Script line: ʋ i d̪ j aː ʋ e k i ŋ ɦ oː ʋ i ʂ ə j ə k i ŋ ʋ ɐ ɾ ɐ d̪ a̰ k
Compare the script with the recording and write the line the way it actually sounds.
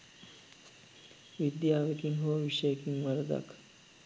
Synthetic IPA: ʋ i d̪ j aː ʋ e k i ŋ ɦ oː ʋ i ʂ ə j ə k i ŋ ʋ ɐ ɾ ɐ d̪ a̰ k